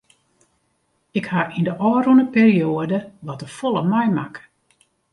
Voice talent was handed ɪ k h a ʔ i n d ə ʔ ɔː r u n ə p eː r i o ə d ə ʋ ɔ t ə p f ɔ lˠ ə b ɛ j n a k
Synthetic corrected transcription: ɪ k h a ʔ i n d ə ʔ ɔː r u n ə p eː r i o ə d ə ʋ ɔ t ə f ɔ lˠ ə m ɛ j m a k